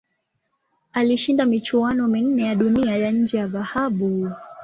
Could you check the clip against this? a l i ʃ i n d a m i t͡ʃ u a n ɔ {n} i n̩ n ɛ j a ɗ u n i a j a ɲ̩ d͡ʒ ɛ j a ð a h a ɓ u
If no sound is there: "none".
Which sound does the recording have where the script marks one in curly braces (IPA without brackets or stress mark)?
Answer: m